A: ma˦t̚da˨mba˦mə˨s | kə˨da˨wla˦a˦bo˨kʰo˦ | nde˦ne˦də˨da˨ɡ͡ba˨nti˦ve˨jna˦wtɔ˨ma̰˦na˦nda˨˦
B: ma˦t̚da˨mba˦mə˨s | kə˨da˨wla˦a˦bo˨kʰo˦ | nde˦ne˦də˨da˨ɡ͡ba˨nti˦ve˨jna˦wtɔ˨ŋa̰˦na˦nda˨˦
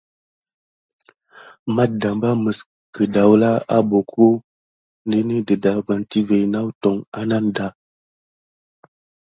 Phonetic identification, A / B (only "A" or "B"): B